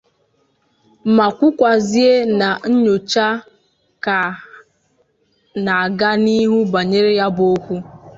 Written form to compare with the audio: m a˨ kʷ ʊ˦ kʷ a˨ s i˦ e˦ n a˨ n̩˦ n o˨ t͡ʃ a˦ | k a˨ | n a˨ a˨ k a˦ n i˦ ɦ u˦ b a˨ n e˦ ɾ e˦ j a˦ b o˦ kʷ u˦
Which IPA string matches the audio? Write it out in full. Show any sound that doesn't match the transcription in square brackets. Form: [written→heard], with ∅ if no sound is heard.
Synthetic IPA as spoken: m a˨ kʷ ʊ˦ kʷ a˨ [s→z] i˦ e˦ n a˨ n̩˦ [n→ɲ] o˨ t͡ʃ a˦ | k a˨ | n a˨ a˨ [k→ɡ] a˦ n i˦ ɦ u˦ b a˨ [n→ɲ] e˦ ɾ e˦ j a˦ b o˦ kʷ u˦